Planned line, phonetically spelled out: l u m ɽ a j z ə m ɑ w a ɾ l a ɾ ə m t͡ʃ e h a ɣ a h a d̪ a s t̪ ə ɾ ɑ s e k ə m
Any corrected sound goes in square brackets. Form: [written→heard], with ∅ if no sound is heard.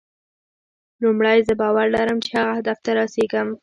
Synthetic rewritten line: l u m ɽ a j z ə [m→b] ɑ w a ɾ l a ɾ ə m t͡ʃ e h a ɣ a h a d̪ a [s→f] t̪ [ə→a] ɾ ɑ s e [k→ɡ] ə m

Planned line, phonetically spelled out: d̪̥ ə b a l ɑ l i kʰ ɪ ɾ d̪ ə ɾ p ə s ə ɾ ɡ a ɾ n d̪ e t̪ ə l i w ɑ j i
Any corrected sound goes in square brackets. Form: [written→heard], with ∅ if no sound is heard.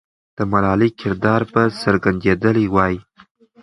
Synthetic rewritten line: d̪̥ ə [b→m] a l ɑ l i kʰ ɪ ɾ d̪ [ə→ɑ] ɾ p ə s ə ɾ ɡ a [ɾ→∅] n d̪ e [t̪→d̪] ə l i w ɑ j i

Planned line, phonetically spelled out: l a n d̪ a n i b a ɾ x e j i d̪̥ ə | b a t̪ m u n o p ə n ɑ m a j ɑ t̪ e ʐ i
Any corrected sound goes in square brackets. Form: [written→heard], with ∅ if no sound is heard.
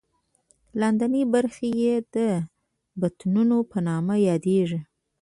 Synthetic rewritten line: l a n d̪ a n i b a ɾ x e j [i→e] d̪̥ ə | b a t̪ [m→n] u n o p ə n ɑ m a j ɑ [t̪→d̪] e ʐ i

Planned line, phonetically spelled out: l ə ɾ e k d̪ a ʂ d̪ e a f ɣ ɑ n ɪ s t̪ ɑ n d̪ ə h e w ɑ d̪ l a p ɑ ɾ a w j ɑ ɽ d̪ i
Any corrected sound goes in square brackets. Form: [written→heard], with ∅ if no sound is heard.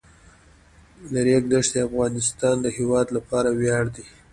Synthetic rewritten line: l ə ɾ e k d̪ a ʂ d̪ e a f ɣ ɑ n ɪ s t̪ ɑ n d̪ ə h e w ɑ d̪ l a p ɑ ɾ a w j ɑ ɽ d̪ i

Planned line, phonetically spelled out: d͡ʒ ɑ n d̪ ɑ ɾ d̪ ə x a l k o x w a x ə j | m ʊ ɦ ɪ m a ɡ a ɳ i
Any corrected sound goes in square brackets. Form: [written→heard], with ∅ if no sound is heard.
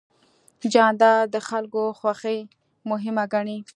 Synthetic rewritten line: d͡ʒ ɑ n d̪ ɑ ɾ d̪ ə x a l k o x w a x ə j | m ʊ ɦ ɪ m a ɡ a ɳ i

